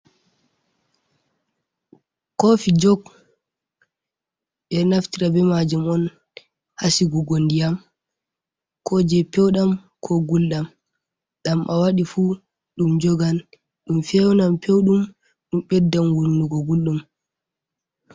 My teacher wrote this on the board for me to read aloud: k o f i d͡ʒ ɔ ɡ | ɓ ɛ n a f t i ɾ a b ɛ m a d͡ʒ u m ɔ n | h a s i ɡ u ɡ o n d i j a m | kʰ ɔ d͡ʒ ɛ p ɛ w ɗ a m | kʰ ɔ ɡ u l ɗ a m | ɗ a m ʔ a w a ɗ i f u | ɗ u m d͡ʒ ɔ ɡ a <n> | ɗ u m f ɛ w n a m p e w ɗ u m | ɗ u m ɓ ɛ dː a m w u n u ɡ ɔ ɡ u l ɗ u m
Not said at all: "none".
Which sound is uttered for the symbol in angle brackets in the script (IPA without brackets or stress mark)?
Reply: n